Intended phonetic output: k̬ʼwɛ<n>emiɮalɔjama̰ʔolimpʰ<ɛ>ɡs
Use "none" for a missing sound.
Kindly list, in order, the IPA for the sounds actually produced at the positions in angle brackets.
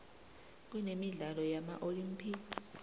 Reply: n, i

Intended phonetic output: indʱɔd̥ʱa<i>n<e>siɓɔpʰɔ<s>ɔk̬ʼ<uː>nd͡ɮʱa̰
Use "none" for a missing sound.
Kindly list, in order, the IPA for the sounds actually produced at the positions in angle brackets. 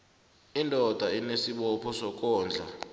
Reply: i, e, s, ɔː

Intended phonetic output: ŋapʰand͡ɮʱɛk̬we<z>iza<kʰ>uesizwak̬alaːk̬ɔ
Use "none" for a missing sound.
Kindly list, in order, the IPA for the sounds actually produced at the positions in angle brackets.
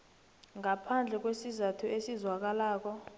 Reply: s, tʰ

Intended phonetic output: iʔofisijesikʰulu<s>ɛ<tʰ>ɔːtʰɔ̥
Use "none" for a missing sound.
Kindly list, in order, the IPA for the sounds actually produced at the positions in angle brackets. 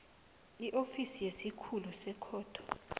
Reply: s, kʰ

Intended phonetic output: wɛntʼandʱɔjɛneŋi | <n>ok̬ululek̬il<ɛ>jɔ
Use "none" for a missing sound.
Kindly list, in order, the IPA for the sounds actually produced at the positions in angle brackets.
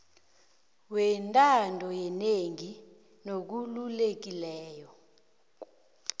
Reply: n, ɛː

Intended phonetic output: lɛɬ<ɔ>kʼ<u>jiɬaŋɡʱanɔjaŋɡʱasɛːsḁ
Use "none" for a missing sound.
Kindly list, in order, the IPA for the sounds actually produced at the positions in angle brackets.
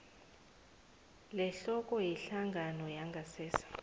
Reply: ɔ, ɔ

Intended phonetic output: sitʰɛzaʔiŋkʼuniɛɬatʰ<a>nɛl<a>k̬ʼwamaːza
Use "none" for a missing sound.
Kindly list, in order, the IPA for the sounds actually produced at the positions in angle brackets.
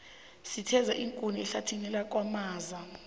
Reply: i, a

